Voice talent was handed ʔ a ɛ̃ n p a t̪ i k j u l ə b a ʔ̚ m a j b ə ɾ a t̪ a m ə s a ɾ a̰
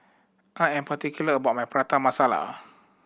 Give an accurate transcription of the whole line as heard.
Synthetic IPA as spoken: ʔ a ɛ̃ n p a t̪ i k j u l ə b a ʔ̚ m a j p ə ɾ a t̪ a m a s a l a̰